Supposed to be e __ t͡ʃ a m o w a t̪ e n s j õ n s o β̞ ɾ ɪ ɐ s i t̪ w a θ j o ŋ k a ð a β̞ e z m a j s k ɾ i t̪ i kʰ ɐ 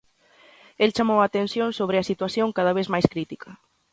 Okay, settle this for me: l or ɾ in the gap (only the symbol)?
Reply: l